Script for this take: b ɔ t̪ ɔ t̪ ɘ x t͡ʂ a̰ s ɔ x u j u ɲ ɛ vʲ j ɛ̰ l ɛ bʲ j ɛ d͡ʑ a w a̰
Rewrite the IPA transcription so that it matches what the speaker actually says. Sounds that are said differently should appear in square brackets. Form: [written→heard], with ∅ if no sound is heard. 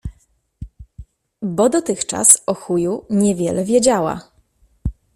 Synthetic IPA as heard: b ɔ [t̪→d̪] ɔ t̪ ɘ x t͡ʂ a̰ s ɔ x u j u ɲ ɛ vʲ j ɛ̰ l ɛ [bʲ→vʲ] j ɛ d͡ʑ a w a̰